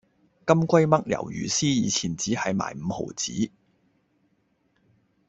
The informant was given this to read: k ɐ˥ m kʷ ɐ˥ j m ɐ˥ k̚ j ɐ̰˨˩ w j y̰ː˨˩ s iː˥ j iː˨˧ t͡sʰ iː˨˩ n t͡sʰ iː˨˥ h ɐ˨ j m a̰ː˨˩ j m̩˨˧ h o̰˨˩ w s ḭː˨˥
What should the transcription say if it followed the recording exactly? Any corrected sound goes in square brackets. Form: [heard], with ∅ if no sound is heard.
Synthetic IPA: k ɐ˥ m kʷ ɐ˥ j m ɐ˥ k̚ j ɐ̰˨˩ w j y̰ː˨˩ s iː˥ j iː˨˧ t͡sʰ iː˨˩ n [t͡s] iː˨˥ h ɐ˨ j m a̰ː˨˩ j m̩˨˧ h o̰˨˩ w [t͡s] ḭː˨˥

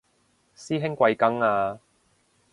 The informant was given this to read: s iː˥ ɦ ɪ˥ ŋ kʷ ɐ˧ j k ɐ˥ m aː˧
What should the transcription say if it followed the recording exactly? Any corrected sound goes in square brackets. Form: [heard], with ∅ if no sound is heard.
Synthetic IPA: s iː˥ ɦ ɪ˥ ŋ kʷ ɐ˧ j k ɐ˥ [ŋ] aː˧

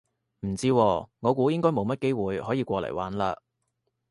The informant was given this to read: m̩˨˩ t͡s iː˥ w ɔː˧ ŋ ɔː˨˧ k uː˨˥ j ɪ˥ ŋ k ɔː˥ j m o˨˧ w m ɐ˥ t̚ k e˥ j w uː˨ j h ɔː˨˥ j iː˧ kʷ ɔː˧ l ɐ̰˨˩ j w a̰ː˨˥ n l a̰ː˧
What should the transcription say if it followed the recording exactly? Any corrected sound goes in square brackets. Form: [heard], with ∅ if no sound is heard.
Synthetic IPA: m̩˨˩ t͡s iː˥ w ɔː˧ ŋ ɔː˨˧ k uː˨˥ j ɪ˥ ŋ k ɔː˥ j m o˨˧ w m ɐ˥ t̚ k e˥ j w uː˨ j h ɔː˨˥ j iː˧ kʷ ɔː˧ l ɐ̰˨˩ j w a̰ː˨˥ n l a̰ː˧

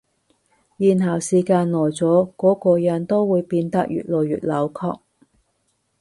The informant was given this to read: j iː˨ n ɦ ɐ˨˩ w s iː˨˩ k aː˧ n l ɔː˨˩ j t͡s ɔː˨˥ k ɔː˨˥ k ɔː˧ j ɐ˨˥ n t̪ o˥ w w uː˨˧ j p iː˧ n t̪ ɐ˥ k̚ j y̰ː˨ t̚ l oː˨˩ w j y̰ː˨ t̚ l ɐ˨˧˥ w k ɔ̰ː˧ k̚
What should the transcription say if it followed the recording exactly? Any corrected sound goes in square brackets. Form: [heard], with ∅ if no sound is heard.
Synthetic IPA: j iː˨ n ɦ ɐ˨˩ w s iː˨˩ k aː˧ n l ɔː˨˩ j t͡s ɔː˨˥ k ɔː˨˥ k ɔː˧ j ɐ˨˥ n t̪ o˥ w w uː˨˧ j p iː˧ n t̪ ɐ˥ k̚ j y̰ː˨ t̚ l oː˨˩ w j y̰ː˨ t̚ l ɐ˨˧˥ w [kʰ] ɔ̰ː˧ k̚

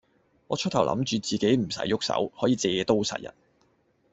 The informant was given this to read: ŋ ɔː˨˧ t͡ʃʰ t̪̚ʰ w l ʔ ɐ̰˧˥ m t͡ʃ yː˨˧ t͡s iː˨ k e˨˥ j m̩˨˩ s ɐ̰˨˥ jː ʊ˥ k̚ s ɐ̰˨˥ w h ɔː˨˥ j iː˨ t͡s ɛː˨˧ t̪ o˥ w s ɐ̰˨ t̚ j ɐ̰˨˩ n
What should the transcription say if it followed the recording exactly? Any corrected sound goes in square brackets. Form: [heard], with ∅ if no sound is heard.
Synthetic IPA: ŋ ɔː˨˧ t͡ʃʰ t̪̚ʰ w l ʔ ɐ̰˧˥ m t͡ʃ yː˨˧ t͡s iː˨ k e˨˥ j m̩˨˩ s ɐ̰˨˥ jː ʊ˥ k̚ s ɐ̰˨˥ w h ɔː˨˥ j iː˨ t͡s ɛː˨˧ t̪ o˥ w s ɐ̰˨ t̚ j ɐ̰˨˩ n

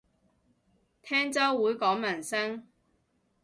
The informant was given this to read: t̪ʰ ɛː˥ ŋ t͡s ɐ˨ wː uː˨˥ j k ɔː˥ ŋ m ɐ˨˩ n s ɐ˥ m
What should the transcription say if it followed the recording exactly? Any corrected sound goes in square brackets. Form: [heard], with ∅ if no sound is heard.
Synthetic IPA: t̪ʰ ɛː˥ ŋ t͡s [ɐ˥] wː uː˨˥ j k [ɔː˨˥] ŋ m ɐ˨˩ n s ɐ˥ [ŋ]

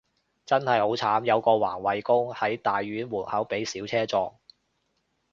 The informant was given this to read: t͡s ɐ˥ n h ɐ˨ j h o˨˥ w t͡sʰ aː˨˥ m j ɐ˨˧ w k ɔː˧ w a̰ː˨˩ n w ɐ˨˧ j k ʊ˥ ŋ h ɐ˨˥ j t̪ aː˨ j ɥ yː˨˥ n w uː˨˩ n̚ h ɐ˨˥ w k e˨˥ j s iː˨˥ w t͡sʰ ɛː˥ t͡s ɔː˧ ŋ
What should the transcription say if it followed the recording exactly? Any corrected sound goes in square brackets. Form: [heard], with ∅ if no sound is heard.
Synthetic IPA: t͡s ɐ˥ n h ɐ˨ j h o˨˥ w t͡sʰ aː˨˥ m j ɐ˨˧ w k ɔː˧ w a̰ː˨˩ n w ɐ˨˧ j k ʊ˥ ŋ h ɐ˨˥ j t̪ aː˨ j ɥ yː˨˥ n w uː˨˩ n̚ h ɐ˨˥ w [p] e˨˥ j s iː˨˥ w t͡sʰ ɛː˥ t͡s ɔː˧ ŋ

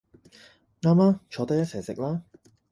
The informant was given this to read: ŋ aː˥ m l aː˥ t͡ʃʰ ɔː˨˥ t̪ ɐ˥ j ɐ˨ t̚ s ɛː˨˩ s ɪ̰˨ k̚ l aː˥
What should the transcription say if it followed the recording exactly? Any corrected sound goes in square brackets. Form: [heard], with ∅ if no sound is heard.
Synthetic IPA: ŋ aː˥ m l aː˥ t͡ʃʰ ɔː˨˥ t̪ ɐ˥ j [ɐ˥] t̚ s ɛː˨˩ s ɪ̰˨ k̚ l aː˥

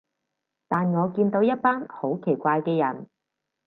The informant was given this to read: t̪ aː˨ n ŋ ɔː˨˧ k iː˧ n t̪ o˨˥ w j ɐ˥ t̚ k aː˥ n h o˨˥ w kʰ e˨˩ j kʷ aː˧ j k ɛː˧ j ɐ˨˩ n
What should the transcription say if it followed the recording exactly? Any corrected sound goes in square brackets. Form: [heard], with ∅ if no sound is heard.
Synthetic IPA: t̪ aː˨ n ŋ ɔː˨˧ k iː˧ n t̪ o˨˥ w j ɐ˥ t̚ [p] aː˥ n h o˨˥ w kʰ e˨˩ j kʷ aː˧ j k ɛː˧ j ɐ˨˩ n

